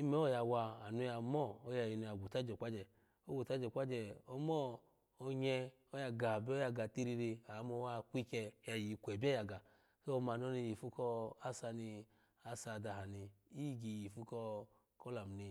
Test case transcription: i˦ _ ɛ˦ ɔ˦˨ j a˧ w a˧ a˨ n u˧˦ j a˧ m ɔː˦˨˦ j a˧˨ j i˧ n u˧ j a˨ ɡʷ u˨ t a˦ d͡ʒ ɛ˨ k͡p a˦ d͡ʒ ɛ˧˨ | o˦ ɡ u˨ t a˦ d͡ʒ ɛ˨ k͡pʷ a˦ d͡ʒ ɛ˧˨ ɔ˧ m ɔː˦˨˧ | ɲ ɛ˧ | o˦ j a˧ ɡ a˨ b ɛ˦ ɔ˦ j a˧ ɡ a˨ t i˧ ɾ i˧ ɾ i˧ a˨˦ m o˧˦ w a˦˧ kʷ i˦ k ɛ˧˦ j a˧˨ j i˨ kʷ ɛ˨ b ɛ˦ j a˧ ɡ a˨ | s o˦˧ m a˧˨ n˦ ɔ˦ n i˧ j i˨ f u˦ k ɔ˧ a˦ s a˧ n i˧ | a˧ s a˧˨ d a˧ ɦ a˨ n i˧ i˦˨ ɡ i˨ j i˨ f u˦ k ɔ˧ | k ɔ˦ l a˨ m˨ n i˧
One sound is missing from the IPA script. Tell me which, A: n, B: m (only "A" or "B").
B